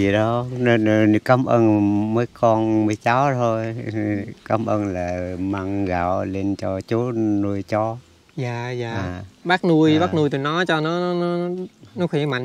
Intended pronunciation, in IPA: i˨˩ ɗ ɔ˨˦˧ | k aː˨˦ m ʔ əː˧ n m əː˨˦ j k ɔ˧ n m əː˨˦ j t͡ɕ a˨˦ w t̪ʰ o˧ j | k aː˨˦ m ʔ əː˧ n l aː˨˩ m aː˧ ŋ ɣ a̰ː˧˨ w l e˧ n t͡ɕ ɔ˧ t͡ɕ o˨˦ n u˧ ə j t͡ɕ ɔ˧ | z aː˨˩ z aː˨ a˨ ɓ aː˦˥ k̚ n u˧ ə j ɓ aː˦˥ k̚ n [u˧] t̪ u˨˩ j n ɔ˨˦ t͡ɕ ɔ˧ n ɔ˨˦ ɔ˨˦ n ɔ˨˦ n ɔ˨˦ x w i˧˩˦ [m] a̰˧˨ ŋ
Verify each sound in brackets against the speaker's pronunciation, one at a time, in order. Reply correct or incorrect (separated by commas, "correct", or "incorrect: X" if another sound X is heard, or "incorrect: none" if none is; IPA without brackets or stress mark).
correct, correct